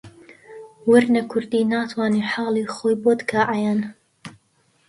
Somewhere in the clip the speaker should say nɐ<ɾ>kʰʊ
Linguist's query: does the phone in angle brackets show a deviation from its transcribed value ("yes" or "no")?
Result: yes